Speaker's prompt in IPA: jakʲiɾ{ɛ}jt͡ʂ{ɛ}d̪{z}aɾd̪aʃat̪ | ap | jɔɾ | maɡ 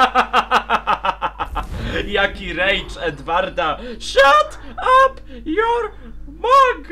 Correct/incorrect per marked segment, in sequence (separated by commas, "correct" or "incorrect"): correct, correct, incorrect